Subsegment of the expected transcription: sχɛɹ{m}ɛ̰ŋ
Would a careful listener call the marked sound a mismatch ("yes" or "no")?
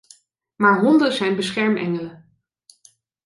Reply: no